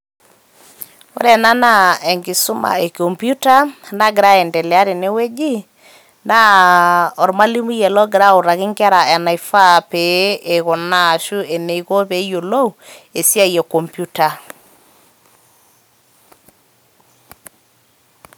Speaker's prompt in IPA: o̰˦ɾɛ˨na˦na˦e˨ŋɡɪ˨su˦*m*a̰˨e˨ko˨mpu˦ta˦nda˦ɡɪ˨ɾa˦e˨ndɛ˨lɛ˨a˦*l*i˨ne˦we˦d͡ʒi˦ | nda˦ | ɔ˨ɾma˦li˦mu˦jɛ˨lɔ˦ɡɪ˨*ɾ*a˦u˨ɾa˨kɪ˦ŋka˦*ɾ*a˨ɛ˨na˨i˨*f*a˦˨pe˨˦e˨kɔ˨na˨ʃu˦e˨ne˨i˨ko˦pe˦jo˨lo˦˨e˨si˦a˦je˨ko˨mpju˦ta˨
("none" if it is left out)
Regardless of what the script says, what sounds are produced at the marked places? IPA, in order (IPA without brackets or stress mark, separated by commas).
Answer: m, ɾ, ɾ, ɾ, f